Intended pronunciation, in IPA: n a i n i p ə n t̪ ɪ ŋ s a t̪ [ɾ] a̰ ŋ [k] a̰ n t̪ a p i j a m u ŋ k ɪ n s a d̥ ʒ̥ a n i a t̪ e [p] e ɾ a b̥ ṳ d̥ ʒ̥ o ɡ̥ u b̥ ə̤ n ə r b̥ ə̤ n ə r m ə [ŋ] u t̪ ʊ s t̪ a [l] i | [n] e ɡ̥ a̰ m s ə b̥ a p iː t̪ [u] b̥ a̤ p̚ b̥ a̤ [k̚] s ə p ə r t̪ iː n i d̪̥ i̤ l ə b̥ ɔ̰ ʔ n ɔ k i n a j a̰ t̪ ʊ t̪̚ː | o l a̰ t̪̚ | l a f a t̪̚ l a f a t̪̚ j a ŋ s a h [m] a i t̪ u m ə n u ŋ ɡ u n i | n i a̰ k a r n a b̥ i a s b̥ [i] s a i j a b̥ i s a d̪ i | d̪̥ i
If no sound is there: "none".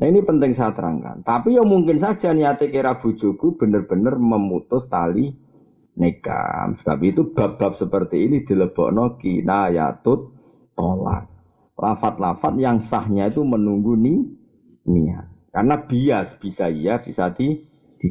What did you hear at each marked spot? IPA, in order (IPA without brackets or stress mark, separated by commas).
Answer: ɾ, k, k, m, l, n, u, p̚, ɲ, i